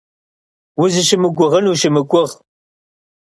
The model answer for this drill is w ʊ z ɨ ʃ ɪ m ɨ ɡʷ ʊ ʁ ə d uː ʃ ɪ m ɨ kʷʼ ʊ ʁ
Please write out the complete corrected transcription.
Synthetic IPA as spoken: w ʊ z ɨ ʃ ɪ m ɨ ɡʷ ʊ ʁ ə n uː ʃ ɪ m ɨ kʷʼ ʊ ʁ